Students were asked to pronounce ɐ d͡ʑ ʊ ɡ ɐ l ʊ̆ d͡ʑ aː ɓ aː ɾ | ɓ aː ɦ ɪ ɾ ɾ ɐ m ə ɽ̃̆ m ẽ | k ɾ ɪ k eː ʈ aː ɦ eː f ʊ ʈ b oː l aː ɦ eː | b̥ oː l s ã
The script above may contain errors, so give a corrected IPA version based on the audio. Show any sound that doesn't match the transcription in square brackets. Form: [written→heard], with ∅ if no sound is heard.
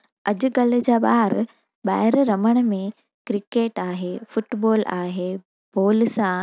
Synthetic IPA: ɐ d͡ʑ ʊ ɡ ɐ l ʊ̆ d͡ʑ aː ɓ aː ɾ | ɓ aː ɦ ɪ ɾ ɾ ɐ m ə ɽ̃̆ m ẽ | k ɾ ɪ k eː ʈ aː ɦ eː f ʊ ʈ b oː l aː ɦ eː | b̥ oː l s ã